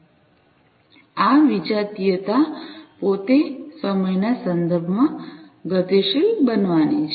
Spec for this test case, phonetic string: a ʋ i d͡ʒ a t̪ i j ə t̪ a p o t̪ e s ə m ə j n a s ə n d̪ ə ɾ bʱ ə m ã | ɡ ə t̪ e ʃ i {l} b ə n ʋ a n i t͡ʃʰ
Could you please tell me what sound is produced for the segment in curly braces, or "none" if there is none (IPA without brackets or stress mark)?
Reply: l